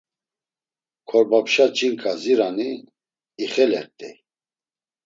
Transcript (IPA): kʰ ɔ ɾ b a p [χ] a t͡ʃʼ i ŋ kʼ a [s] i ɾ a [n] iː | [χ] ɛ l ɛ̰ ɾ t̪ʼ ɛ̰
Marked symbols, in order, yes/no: no, no, yes, yes

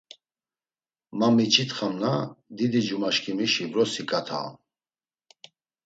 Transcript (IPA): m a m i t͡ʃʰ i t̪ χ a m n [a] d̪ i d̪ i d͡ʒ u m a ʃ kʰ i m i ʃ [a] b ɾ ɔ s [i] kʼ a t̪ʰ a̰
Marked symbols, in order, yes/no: yes, no, yes

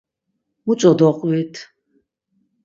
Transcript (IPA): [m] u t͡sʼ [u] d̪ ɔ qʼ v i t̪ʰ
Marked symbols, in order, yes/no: yes, no

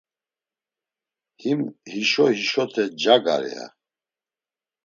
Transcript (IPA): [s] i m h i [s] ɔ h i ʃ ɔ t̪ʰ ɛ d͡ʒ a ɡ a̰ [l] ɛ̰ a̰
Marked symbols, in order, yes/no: no, no, no

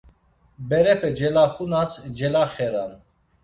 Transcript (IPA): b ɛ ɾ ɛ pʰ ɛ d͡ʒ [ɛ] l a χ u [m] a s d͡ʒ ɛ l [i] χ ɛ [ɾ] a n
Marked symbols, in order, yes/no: yes, no, no, yes

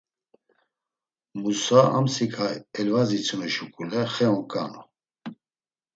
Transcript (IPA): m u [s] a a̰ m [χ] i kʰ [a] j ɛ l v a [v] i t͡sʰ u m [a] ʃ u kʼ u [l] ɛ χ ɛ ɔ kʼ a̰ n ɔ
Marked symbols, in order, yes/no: yes, no, yes, no, no, yes

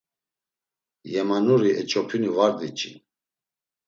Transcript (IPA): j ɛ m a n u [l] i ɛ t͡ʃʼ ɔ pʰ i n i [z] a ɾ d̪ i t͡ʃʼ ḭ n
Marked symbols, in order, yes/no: no, no

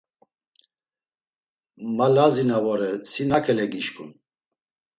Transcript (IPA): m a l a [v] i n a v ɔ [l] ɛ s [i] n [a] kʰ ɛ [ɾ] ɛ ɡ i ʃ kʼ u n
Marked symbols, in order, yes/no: no, no, yes, yes, no

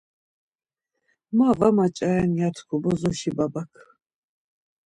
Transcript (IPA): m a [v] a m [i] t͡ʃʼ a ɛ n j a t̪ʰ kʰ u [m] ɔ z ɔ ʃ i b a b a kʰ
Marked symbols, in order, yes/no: yes, no, no

